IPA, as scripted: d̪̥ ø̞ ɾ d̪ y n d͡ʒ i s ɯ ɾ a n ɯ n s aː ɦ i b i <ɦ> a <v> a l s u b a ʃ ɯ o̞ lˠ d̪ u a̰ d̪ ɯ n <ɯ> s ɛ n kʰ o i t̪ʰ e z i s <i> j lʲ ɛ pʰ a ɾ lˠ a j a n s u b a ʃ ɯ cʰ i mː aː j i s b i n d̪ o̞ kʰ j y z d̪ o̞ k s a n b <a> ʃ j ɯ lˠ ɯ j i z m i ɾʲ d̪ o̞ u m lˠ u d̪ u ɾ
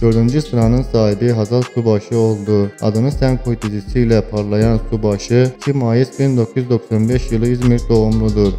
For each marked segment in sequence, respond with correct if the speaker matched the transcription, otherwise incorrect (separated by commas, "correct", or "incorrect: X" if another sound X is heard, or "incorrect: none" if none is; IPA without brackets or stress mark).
correct, incorrect: z, correct, correct, incorrect: ɛ